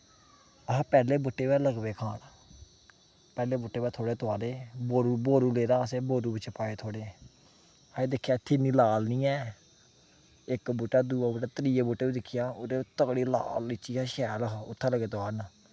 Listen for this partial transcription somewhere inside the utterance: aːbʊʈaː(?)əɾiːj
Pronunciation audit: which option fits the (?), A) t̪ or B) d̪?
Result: A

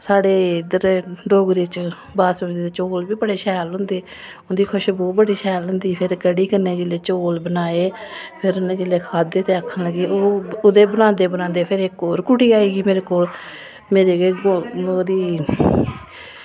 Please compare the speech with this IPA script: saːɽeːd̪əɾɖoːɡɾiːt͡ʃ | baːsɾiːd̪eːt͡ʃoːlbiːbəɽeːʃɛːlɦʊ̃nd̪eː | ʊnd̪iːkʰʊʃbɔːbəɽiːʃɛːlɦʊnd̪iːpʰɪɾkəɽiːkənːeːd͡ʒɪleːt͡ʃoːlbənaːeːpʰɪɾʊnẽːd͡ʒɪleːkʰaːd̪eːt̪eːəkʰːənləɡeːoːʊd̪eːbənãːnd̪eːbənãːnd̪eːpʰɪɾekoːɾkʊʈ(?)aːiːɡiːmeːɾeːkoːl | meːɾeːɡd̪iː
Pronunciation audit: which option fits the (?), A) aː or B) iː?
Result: B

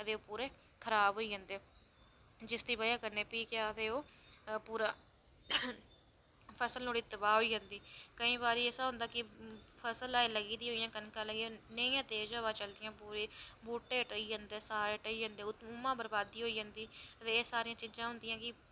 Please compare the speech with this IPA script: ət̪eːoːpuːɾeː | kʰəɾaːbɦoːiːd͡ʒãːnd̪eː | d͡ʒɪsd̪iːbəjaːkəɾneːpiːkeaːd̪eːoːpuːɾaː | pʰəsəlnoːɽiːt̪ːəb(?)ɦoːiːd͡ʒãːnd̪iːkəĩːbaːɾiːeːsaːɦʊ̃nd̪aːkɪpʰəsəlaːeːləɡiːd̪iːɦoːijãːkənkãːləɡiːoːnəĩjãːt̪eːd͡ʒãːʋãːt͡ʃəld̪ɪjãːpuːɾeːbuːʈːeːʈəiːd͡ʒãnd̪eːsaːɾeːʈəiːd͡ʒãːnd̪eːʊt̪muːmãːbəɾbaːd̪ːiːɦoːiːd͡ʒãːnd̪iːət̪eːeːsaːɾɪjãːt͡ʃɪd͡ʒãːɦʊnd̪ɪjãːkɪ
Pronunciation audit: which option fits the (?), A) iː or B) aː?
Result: B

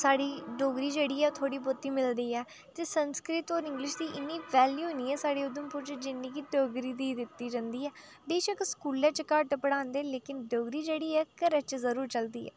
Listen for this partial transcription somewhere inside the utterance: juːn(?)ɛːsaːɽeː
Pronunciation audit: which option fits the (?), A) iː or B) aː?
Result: A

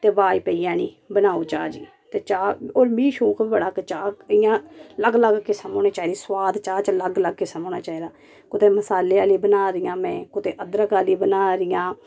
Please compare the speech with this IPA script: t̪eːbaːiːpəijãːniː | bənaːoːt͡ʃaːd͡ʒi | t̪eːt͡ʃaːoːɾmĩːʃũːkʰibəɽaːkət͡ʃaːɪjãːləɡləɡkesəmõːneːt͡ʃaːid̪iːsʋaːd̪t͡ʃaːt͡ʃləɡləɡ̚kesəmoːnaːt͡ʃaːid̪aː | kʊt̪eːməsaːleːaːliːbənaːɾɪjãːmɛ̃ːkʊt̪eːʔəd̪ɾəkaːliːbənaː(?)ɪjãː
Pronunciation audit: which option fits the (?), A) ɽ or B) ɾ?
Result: B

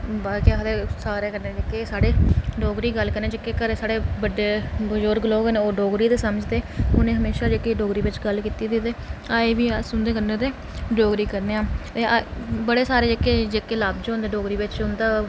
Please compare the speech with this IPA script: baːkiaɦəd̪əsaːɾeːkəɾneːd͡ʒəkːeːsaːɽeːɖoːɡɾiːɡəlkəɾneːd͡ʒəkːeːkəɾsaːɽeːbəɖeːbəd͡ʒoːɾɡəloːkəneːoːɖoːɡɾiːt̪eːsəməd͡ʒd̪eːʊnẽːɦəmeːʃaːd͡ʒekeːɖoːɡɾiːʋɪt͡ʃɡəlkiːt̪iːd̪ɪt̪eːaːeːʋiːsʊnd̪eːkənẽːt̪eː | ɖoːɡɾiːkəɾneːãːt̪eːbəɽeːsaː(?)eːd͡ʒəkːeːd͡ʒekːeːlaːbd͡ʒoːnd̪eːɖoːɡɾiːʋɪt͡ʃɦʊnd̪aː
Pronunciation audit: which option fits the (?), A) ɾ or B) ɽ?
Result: A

